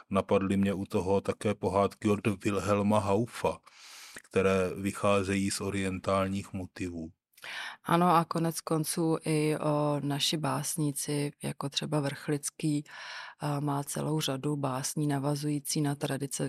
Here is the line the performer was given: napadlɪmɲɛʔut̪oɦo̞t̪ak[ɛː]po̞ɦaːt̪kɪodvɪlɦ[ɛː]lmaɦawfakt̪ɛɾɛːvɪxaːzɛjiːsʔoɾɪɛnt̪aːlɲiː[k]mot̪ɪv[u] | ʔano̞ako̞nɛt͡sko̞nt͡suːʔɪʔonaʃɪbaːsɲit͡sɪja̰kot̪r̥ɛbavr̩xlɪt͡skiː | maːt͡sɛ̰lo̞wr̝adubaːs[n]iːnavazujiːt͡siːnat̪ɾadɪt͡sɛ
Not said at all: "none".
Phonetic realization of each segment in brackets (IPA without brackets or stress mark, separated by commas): ɛː, ɛ, x, uː, ɲ